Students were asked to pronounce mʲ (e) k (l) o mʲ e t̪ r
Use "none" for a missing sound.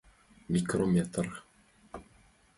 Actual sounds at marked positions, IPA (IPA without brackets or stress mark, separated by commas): i, r